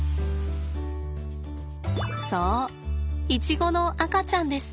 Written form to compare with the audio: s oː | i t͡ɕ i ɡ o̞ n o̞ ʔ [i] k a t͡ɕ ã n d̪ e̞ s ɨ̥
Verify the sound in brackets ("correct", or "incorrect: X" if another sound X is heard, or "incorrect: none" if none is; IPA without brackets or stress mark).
incorrect: a